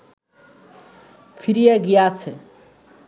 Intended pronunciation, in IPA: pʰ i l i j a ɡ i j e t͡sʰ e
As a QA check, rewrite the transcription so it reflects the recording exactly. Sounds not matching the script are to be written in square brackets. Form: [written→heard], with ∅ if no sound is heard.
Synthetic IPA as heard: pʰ i [l→ɾ] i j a ɡ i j [e→a] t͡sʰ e